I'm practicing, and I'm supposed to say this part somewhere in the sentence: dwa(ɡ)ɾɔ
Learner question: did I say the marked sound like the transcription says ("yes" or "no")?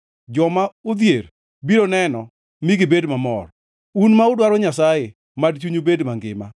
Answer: no